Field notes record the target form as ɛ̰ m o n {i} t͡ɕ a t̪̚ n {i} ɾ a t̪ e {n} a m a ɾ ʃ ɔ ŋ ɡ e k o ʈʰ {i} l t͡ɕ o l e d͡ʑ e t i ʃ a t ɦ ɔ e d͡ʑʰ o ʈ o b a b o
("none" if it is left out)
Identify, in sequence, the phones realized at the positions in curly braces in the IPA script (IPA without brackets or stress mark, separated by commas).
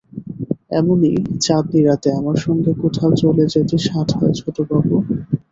i, i, none, a